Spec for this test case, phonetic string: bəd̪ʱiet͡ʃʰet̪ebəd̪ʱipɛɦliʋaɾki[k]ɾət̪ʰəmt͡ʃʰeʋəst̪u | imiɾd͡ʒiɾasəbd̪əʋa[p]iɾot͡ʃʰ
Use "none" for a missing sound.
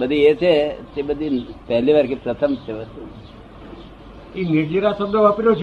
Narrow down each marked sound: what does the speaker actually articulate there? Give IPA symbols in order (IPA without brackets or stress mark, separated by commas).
p, p